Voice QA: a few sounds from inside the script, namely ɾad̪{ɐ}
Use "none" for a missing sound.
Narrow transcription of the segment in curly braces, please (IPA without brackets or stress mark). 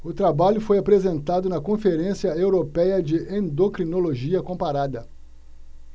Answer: ɐ